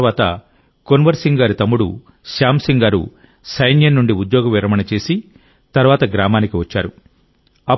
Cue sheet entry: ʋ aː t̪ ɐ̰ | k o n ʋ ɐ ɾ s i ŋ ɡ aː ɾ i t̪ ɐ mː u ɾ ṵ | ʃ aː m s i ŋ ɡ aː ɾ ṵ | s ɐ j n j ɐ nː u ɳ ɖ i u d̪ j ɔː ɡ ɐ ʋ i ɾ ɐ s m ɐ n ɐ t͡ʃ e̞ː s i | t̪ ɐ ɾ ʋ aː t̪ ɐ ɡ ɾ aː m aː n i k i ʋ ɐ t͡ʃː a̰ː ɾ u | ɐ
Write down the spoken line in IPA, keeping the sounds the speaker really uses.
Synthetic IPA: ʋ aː t̪ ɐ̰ | k o n ʋ ɐ ɾ s i ŋ ɡ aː ɾ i t̪ ɐ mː u ɽ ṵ | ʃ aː m s i ŋ ɡ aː ɾ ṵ | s ɐ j n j ɐ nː u ɳ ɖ i u d̪ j ɔː ɡ ɐ ʋ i ɾ ɐ m ɐ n ɐ t͡ʃ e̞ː s i | t̪ ɐ ɾ ʋ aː t̪ ɐ ɡ ɾ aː m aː n i k i ʋ ɐ t͡ʃː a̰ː ɾ u | ɐ

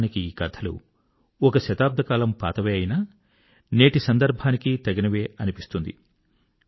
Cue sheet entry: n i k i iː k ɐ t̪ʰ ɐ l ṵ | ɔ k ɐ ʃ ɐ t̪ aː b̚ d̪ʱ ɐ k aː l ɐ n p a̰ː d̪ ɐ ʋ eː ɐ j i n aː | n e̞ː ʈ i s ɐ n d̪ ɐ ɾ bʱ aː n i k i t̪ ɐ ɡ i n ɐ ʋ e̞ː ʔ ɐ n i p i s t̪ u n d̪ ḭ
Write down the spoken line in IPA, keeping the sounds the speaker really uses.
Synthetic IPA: n i k i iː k ɐ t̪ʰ ɐ l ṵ | ɔ k ɐ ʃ ɐ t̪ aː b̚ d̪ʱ ɐ k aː l ɐ m p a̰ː t̪ ɐ ʋ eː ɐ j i n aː | n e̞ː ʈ i s ɐ n d̪ ɐ ɾ bʱ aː n i k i t̪ ɐ ɡ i n ɐ ʋ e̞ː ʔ ɐ n i p i s t̪ u n d̪ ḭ

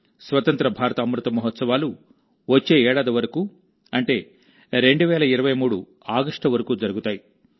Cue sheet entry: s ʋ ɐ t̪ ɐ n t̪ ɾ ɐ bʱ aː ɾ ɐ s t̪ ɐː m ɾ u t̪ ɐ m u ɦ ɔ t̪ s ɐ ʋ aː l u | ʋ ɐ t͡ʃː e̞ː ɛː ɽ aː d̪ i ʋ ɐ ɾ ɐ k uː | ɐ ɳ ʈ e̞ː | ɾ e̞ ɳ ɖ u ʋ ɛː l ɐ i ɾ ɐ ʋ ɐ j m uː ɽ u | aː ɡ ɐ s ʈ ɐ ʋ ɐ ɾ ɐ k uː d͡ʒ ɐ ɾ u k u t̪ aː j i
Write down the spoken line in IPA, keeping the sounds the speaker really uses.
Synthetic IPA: s ʋ ɐ t̪ ɐ n t̪ ɾ ɐ bʱ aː ɾ ɐ t̪ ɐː m ɾ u t̪ ɐ m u ɦ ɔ t̪ s ɐ ʋ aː l u | ʋ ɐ t͡ʃː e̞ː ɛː ɽ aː d̪ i ʋ ɐ ɾ ɐ k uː | ɐ ɳ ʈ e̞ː | ɾ e̞ ɳ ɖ u ʋ ɛː l ɐ i ɾ ɐ ʋ ɐ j m uː ɽ u | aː ɡ ɐ ʂ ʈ ɐ ʋ ɐ ɾ ɐ k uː d͡ʒ ɐ ɾ u ɡ u t̪ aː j i

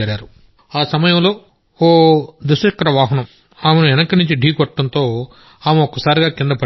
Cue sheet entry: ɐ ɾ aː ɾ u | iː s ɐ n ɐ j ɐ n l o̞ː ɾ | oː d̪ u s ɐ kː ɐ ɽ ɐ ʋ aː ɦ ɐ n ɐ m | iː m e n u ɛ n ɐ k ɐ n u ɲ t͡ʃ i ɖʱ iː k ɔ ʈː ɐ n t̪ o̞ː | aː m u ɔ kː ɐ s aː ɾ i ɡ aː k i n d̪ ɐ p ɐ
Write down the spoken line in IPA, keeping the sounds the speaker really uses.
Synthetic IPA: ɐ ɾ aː ɾ u | aː s ɐ m ɐ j ɐ m l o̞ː | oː d̪ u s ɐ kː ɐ ɾ ɐ ʋ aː ɦ ɐ n ɐ m | aː m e n u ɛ n ɐ k ɐ n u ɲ t͡ʃ i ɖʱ iː k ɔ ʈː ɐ n t̪ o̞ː | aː m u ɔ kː ɐ s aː ɾ i ɡ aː k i n d̪ ɐ p ɐ

